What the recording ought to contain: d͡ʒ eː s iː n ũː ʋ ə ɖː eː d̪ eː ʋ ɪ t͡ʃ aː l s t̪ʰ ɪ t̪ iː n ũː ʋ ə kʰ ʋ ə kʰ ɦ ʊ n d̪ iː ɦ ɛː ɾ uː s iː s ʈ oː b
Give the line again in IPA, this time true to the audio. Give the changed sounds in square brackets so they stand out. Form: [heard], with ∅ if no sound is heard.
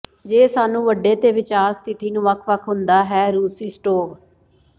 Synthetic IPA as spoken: d͡ʒ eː s [aː] n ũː ʋ ə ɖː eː [t̪] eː ʋ ɪ t͡ʃ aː [ɾ] s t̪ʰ ɪ t̪ iː n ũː ʋ ə kʰ ʋ ə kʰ ɦ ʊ n d̪ [aː] ɦ ɛː ɾ uː s iː s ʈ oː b